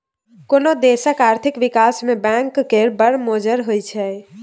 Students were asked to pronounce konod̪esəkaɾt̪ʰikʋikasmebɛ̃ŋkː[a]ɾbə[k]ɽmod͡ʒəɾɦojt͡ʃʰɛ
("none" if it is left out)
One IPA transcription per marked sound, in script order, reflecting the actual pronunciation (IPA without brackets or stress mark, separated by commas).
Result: e, none